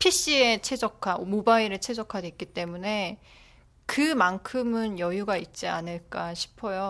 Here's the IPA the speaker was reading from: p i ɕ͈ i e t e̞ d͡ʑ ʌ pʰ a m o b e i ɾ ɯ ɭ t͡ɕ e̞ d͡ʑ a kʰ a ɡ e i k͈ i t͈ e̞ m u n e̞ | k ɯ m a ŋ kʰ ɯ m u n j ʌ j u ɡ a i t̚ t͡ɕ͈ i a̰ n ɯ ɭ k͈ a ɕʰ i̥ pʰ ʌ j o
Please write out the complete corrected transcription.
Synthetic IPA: pʰ i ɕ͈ i e t͡ɕʰ e̞ d͡ʑ ʌ kʰ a m o b a i ɾ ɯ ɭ t͡ɕʰ e̞ d͡ʑ ʌ kʰ a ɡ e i k͈ i t͈ e̞ m u n e̞ | k ɯ m a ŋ kʰ ɯ m ɯ n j ʌ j u ɡ a i t̚ t͡ɕ͈ i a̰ n ɯ ɭ k͈ a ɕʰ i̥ pʰ ʌ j o